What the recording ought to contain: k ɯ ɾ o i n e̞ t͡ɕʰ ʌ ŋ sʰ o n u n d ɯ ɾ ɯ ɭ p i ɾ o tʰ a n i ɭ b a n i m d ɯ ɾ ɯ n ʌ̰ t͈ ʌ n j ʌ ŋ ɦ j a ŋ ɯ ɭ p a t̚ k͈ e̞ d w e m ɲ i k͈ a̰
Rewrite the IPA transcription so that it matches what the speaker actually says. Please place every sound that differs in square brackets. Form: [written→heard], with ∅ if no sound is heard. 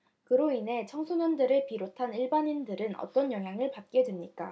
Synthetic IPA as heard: k ɯ ɾ o i n e̞ t͡ɕʰ ʌ ŋ sʰ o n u n d ɯ ɾ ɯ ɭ p i ɾ o tʰ a n i ɭ b a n i [m→n] d ɯ ɾ ɯ n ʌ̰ t͈ ʌ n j ʌ ŋ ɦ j a ŋ ɯ ɭ p a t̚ k͈ e̞ d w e m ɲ i k͈ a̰

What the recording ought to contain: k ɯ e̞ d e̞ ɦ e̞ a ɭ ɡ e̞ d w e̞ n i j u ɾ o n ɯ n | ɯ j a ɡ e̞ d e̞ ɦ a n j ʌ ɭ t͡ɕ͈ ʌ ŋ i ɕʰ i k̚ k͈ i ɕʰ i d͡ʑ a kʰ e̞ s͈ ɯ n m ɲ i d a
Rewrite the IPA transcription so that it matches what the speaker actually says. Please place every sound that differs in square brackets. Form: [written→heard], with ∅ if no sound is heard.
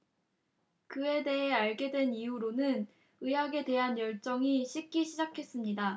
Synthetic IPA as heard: k ɯ e̞ d e̞ ɦ e̞ a ɭ ɡ e̞ d w e̞ n i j u ɾ o n ɯ n | ɯ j a ɡ e̞ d e̞ ɦ a n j ʌ ɭ t͡ɕ͈ ʌ ŋ i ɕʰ i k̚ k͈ i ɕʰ i d͡ʑ a kʰ e̞ s͈ ɯ [n→∅] m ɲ i d a

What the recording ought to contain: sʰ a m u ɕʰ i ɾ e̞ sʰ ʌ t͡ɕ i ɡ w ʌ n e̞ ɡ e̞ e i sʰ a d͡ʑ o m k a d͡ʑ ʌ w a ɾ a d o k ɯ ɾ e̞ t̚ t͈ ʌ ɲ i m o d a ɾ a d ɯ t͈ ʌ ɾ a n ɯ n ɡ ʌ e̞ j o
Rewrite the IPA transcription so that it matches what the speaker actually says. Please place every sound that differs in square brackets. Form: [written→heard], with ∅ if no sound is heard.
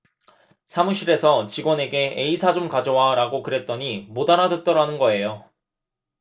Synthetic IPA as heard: sʰ a m u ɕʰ i ɾ e̞ sʰ ʌ t͡ɕ i ɡ w ʌ n e̞ ɡ e̞ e i sʰ a d͡ʑ o m k a d͡ʑ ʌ w a ɾ a [d→ɡ] o k ɯ ɾ e̞ t̚ t͈ ʌ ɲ i m o d a ɾ a d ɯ t͈ ʌ ɾ a n ɯ n ɡ ʌ e̞ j o

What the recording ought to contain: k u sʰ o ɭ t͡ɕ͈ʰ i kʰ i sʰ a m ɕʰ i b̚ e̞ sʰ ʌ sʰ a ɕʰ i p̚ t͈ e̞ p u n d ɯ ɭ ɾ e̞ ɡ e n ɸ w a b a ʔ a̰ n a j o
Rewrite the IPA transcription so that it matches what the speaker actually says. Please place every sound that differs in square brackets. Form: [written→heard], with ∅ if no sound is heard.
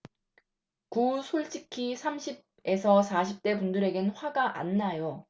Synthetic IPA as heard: k u sʰ o ɭ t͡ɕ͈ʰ i kʰ i sʰ a m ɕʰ i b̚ e̞ sʰ ʌ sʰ a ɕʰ i p̚ t͈ e̞ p u n d ɯ [ɭ→∅] ɾ e̞ ɡ e n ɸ w a [b→ɡ] a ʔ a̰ [n→nː] a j o

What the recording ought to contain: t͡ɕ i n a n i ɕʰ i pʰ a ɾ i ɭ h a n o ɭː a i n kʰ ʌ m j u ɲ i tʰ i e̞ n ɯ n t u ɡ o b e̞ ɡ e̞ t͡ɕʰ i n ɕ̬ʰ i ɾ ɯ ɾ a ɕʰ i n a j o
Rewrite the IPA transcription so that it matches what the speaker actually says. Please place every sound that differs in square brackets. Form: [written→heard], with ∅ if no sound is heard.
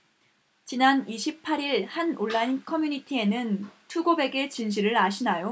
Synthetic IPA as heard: t͡ɕ i n a n i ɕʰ i pʰ a ɾ i ɭ h a n o ɭː a i n kʰ ʌ m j u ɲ i tʰ i e̞ n ɯ n [t→tʰ] u ɡ o b e̞ ɡ e̞ [t͡ɕʰ→t͡ɕ] i n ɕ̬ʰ i ɾ ɯ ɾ a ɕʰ i n a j o

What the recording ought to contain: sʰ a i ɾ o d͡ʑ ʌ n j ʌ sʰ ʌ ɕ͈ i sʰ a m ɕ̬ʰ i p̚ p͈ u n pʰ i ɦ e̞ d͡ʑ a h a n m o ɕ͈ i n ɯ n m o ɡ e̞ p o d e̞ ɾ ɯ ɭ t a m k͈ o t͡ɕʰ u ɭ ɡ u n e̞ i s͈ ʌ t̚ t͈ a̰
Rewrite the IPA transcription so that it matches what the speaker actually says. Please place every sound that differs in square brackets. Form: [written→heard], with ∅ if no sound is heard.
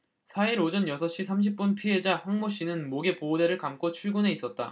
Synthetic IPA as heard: sʰ a i ɾ o d͡ʑ ʌ n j ʌ sʰ ʌ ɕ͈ i sʰ a m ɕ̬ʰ i p̚ p͈ u n pʰ i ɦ e̞ d͡ʑ a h a [n→ŋ] m o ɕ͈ i n ɯ n m o ɡ e̞ p o d e̞ ɾ ɯ ɭ [t→k] a m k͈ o t͡ɕʰ u ɭ ɡ u n e̞ i s͈ ʌ t̚ t͈ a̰

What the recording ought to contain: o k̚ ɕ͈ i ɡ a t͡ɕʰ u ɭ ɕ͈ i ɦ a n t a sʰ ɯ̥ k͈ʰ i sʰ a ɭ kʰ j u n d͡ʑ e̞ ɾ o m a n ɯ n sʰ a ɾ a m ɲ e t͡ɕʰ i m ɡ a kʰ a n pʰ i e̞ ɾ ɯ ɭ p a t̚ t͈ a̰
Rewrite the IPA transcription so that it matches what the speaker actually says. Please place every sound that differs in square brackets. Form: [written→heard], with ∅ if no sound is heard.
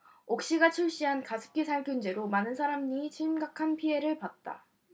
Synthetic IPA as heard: o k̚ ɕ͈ i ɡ a t͡ɕʰ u ɭ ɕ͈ i ɦ a n [t→k] a sʰ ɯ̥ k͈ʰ i sʰ a ɭ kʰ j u n d͡ʑ e̞ ɾ o m a n ɯ n sʰ a ɾ a m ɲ [e→i] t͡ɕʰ i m ɡ a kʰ a n pʰ i e̞ ɾ ɯ ɭ p a t̚ t͈ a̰

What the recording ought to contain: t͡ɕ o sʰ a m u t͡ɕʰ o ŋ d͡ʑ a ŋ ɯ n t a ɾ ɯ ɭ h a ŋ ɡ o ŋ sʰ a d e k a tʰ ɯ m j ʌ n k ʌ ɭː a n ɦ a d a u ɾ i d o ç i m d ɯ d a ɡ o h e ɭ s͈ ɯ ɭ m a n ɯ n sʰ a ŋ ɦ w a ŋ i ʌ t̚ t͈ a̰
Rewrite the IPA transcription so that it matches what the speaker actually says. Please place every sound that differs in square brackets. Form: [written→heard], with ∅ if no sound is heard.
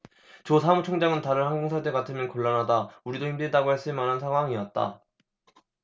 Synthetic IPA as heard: t͡ɕ o sʰ a m u t͡ɕʰ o ŋ d͡ʑ a ŋ ɯ n t a ɾ ɯ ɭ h a ŋ ɡ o ŋ sʰ a d e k a tʰ ɯ m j ʌ n k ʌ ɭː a n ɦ a d a u ɾ i d o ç i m d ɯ d a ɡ o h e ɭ s͈ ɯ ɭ m a n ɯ n sʰ a ŋ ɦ w a ŋ i ʌ t̚ t͈ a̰

